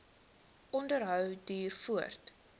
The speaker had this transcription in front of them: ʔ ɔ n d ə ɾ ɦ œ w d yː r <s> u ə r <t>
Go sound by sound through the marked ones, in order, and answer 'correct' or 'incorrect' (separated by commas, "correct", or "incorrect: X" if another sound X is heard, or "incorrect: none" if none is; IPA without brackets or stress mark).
incorrect: f, correct